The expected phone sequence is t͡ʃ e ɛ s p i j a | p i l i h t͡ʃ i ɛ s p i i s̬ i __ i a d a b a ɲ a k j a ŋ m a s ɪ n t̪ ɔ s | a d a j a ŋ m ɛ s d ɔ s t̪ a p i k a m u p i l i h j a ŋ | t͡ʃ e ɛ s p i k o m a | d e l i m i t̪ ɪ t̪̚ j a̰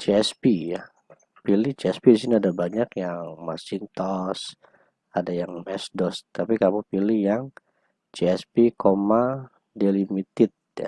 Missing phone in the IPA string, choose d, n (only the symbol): n